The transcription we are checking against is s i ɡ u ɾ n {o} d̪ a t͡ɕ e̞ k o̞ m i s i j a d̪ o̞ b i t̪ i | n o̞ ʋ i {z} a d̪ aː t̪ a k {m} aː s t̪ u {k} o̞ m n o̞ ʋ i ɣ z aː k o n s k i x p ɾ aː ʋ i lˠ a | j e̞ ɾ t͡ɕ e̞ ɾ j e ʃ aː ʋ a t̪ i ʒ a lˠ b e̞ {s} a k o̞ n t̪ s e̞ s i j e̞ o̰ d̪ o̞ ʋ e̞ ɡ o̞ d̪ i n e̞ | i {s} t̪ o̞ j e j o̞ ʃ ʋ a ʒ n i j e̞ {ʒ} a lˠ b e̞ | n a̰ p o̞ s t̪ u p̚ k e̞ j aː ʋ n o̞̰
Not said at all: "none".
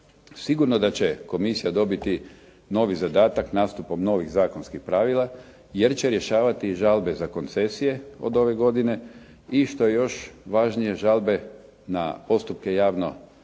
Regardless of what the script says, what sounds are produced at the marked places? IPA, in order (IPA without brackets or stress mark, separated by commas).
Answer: o, z, n, p, z, ʃ, ʒ